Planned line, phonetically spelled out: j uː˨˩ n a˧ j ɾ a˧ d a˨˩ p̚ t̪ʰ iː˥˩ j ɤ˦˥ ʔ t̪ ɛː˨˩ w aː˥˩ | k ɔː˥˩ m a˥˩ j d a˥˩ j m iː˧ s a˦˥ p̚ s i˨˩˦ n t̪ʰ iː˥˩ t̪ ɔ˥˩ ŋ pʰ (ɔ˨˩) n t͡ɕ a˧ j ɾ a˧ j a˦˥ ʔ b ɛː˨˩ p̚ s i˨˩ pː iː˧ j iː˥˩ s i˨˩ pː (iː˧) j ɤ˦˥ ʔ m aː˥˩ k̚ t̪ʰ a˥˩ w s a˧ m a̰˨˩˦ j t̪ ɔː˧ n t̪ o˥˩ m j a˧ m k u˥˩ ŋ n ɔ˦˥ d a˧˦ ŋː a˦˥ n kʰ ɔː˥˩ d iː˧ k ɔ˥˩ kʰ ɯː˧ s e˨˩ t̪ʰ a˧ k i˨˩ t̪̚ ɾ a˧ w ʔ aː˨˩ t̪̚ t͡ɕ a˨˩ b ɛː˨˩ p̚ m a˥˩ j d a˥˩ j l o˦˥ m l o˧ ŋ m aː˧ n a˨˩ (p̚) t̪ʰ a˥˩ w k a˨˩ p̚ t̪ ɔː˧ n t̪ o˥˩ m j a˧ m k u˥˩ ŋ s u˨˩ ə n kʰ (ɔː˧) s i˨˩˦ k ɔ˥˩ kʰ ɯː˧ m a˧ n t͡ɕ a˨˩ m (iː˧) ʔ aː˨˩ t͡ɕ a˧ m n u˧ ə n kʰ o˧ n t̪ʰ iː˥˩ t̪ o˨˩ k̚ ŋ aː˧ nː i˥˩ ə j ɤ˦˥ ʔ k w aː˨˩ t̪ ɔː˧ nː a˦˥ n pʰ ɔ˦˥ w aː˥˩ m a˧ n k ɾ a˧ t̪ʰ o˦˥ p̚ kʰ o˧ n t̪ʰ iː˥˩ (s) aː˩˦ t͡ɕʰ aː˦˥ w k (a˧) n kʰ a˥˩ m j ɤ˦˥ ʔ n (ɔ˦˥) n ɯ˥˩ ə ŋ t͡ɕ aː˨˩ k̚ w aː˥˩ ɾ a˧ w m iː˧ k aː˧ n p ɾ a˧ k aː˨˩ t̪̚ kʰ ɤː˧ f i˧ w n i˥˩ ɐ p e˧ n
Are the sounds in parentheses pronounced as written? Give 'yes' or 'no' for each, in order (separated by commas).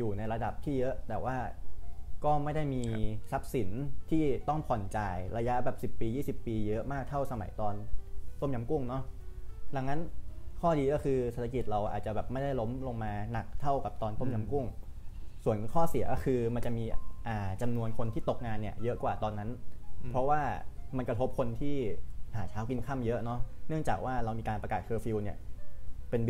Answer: yes, yes, no, no, yes, no, no, yes